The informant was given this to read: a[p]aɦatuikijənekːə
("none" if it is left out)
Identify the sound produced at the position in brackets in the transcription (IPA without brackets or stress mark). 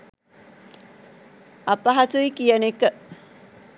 p